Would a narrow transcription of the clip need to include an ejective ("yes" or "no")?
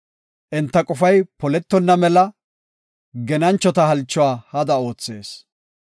yes